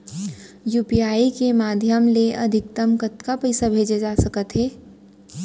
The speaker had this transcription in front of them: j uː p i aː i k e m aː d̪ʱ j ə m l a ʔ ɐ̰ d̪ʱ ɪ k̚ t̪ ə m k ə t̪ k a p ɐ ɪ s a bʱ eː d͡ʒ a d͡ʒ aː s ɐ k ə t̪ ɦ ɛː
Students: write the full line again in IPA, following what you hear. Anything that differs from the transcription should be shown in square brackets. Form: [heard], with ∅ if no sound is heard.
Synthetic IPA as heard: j uː p i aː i k e m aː d̪ʱ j ə m l [e] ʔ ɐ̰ d̪ʱ ɪ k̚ t̪ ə m k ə t̪ k a p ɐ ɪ s a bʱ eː d͡ʒ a d͡ʒ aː s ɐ k ə t̪ ɦ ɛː